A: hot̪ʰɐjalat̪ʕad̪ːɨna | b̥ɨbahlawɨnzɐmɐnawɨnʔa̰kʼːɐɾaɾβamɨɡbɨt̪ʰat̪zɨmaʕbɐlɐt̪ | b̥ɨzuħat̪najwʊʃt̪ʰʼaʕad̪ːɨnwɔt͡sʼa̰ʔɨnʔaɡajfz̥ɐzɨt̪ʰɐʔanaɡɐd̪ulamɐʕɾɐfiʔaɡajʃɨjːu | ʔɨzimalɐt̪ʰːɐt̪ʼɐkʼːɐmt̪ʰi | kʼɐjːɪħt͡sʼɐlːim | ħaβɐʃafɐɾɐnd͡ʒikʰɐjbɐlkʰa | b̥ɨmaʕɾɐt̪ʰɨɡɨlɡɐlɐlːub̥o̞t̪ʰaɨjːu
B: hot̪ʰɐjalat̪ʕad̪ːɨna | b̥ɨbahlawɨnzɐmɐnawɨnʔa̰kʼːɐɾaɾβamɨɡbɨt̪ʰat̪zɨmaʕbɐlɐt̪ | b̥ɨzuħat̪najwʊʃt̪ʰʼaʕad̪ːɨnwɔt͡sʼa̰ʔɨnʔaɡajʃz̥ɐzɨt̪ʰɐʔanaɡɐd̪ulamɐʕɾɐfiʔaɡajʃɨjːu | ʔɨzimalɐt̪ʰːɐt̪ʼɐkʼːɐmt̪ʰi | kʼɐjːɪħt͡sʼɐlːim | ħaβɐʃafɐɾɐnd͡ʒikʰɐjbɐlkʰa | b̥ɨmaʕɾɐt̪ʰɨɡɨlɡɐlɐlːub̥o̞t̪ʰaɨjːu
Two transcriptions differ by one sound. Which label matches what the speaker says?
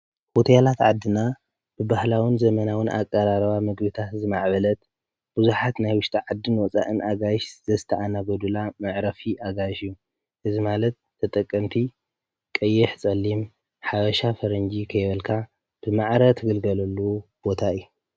B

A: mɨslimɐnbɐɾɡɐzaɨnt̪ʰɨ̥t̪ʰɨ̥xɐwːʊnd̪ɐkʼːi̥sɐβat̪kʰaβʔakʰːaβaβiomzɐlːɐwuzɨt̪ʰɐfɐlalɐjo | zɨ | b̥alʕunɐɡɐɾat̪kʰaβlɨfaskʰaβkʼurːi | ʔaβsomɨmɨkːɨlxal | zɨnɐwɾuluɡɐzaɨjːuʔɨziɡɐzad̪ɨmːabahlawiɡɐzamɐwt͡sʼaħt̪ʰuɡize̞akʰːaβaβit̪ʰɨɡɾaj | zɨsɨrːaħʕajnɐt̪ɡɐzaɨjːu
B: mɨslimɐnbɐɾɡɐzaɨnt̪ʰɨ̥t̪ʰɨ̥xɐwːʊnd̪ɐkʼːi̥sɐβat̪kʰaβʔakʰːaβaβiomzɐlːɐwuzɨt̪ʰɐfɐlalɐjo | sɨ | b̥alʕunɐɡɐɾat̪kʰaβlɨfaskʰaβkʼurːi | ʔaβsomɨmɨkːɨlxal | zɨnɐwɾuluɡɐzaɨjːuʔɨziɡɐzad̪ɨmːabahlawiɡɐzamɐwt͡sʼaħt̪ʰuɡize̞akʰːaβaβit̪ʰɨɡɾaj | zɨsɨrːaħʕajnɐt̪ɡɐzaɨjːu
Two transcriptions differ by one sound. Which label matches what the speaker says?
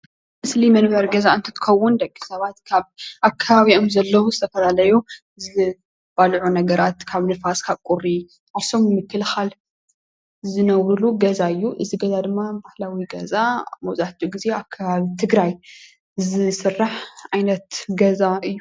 A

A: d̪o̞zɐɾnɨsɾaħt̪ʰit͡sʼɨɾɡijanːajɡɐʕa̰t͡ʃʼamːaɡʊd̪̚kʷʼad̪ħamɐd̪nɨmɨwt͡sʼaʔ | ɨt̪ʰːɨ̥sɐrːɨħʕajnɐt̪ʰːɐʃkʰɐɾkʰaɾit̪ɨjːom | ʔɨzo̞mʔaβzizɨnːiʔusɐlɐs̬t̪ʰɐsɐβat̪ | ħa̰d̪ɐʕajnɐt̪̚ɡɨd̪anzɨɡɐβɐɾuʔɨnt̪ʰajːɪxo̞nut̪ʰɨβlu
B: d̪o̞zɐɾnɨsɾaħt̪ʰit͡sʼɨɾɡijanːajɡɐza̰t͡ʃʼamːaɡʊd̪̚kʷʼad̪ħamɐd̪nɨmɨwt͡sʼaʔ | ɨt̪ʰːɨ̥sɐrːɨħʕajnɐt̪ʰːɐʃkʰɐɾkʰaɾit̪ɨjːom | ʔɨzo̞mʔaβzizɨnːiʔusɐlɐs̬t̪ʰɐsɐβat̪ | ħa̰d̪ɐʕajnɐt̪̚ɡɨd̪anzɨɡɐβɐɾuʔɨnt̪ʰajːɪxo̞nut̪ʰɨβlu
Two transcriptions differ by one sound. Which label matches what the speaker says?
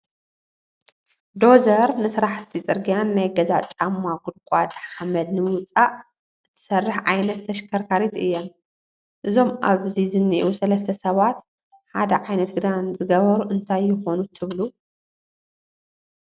B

